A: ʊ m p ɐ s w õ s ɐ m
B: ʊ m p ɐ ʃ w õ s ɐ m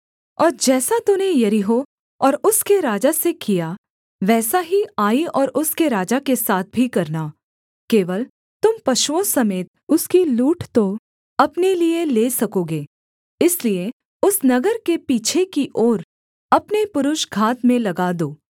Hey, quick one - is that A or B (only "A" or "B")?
B